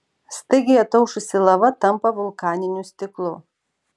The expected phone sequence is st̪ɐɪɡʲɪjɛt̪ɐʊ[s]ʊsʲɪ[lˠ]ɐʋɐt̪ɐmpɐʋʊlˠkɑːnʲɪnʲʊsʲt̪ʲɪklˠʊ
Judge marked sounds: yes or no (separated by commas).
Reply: no, yes